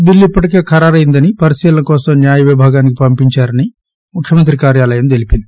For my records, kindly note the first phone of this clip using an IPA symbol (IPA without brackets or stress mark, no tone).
b